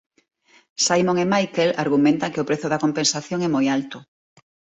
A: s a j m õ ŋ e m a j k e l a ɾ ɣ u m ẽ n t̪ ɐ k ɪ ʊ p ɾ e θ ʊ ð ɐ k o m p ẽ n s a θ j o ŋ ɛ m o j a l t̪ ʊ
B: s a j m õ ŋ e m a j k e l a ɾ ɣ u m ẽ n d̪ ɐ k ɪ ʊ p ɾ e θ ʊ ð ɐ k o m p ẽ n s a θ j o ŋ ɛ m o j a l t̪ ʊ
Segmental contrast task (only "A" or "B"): A